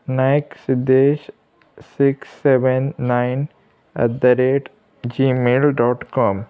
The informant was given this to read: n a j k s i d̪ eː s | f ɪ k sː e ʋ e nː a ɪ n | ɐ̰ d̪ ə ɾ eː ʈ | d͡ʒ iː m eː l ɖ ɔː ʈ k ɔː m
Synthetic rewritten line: n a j k s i d̪ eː ʃ | s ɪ k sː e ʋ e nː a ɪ n | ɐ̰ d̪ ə ɾ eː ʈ | d͡ʒ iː m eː l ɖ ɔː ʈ k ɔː m